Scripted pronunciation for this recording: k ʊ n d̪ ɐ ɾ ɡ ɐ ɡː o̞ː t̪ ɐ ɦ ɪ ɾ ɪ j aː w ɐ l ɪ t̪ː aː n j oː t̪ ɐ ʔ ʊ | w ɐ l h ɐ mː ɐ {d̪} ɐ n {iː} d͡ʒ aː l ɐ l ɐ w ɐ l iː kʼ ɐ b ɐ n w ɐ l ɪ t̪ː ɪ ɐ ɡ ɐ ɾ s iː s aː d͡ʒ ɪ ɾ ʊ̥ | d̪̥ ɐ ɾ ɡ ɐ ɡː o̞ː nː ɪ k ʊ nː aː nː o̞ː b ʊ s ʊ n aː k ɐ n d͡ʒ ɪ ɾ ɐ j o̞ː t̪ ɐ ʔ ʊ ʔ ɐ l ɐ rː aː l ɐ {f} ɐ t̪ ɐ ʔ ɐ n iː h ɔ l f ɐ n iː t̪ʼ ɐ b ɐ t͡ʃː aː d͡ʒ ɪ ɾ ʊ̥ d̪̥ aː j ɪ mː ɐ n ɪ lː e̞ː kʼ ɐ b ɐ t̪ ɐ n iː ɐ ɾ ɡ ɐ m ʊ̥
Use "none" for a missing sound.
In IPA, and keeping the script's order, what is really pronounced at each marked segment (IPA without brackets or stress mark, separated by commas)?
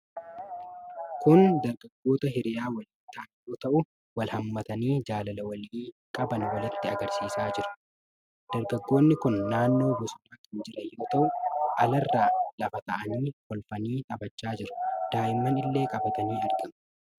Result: t̪, iː, f